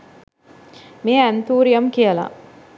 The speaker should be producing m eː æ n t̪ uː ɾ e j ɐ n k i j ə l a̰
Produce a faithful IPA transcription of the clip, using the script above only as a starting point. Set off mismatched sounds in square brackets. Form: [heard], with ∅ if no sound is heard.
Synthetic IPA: m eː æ n t̪ uː ɾ [i] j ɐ [m] k i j ə l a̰